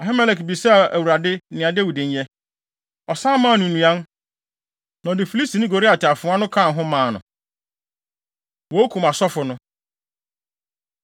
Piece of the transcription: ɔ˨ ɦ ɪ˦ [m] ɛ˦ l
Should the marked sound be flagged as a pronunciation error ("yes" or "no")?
no